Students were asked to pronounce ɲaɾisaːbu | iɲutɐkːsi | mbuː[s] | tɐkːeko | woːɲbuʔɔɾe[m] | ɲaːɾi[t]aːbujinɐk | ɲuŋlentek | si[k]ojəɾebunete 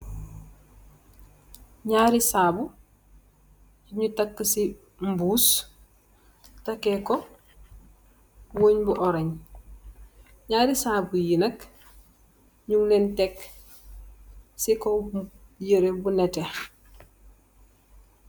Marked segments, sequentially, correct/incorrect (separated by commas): correct, incorrect, incorrect, correct